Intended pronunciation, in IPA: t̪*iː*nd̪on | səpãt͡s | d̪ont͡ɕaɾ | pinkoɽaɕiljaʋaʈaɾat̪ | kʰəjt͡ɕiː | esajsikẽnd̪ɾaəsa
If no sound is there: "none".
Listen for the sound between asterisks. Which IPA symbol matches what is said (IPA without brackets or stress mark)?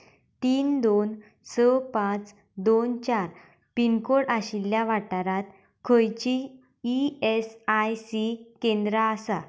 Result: iː